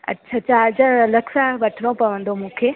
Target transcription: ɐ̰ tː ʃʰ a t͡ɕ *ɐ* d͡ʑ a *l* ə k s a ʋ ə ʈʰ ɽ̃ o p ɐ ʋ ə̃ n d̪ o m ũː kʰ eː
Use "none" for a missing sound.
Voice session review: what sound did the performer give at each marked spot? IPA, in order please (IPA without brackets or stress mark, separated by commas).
a, l